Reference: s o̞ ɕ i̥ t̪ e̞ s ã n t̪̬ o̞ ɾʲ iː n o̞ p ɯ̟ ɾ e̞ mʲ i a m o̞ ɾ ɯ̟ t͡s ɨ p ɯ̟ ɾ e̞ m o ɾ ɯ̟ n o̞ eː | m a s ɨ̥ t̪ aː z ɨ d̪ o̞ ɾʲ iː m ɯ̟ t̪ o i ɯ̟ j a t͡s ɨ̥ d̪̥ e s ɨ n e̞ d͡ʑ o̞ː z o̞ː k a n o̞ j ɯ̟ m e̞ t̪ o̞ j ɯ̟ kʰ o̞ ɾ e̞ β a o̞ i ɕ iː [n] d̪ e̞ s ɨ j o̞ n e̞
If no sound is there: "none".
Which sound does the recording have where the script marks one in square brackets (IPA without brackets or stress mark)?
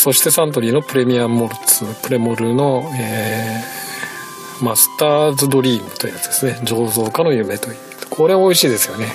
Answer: none